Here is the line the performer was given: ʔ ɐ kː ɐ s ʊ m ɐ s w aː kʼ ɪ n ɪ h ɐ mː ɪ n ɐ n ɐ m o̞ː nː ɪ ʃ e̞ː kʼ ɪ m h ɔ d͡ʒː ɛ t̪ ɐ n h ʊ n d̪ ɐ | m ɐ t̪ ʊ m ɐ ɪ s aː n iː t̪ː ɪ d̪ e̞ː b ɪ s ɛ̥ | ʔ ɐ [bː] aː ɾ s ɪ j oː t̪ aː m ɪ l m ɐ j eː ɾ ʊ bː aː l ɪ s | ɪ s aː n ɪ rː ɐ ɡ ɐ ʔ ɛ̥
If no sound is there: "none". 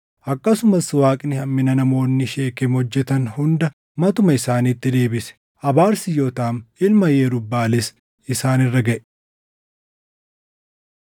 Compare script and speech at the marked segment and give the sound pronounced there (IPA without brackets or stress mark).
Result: b